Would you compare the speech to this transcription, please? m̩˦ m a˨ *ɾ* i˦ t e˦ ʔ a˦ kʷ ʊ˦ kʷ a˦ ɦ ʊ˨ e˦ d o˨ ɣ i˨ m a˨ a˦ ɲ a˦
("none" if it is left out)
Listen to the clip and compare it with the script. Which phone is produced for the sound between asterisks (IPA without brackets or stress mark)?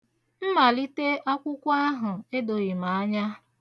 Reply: l